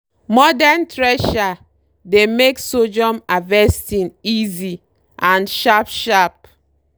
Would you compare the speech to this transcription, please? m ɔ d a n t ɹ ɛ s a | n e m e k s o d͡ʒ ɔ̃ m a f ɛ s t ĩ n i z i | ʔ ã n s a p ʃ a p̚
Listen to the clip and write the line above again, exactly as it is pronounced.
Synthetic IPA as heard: m ɔ d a n t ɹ ɛ ʃ a | d e m e k s o d͡ʒ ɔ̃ m a v ɛ s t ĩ n i z i | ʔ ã n ʃ a p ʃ a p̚